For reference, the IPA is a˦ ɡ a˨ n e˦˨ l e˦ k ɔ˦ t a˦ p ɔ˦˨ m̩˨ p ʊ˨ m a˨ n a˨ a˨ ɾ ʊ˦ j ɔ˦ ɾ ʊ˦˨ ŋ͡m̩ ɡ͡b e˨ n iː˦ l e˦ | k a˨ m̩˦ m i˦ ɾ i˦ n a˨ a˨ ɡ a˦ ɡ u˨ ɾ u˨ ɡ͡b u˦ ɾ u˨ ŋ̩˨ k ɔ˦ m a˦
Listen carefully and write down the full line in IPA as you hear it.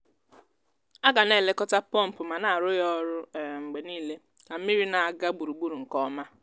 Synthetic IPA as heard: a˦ ɡ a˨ n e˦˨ l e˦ k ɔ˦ t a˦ p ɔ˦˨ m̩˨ p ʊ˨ m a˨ n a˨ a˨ ɾ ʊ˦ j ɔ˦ ɾ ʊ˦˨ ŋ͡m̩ ɡ͡b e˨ n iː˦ l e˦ | k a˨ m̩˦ m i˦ ɾ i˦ n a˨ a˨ ɡ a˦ ɡ͡b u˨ ɾ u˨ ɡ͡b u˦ ɾ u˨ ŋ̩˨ k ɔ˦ m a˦